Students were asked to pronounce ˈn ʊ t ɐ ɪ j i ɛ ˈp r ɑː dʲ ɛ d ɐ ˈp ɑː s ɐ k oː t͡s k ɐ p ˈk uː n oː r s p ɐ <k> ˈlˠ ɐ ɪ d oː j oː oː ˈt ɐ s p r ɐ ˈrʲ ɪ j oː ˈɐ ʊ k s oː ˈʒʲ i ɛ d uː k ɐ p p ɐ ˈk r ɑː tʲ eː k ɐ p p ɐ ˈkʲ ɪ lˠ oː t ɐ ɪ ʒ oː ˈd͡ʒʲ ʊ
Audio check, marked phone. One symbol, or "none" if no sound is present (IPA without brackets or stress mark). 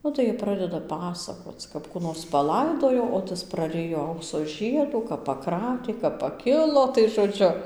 none